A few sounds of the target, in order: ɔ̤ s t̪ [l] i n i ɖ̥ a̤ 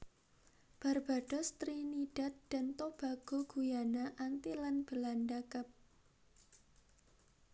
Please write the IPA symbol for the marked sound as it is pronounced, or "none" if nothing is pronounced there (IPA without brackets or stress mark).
ɾ